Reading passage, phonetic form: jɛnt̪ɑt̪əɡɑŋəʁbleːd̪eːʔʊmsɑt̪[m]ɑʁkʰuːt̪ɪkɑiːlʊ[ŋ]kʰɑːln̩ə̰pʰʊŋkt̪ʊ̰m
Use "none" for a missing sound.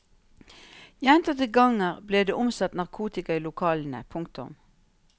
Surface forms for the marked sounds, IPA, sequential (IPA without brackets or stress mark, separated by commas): n, none